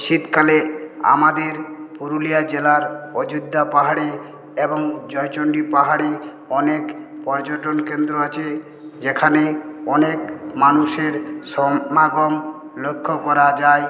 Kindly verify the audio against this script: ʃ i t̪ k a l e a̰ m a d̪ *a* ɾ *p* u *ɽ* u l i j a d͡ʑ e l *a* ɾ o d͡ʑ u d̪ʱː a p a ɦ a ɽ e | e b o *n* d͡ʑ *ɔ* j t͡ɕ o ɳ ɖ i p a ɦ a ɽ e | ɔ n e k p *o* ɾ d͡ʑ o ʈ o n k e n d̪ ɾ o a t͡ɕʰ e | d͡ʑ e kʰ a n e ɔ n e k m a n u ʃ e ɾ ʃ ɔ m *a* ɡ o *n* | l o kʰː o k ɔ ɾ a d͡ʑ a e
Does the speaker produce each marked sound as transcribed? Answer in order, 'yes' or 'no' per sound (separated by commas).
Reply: no, yes, no, yes, no, yes, no, yes, no